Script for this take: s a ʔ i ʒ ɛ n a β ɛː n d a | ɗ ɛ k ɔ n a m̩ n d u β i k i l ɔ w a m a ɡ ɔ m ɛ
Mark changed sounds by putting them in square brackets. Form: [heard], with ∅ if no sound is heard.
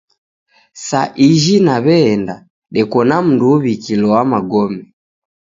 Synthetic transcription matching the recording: s a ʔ i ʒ [i] n a β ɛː n d a | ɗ ɛ k ɔ n a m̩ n d u β i k i l ɔ w a m a ɡ ɔ m ɛ